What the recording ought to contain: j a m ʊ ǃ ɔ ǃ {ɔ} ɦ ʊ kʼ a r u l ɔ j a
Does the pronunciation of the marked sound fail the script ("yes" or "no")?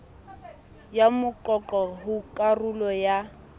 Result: no